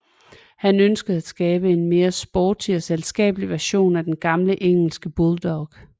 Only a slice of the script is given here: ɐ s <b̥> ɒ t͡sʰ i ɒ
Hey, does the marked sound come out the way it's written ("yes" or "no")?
yes